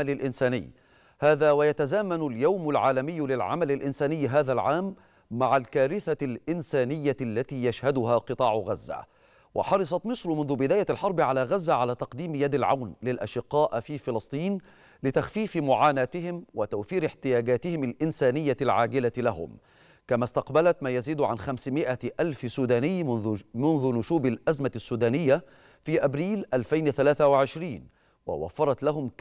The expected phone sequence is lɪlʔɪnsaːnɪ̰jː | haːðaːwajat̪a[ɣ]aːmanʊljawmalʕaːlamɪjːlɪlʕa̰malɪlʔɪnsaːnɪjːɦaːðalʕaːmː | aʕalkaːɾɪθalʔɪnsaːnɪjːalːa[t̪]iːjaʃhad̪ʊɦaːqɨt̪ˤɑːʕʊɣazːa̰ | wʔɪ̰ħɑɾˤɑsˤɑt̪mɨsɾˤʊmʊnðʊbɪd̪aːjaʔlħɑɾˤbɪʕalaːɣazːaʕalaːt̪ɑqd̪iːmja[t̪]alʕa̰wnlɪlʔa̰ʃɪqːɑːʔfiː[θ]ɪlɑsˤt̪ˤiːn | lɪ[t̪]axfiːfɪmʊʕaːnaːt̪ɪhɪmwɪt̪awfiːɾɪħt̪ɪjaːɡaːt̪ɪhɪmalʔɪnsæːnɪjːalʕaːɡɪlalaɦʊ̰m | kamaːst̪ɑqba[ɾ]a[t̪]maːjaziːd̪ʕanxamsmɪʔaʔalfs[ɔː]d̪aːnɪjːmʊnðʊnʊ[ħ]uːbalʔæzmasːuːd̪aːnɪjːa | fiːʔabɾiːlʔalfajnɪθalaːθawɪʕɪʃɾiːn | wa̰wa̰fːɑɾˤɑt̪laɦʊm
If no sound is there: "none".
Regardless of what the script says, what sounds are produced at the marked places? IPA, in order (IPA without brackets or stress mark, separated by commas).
z, t̪, d̪, f, t̪, l, t̪, uː, ʃ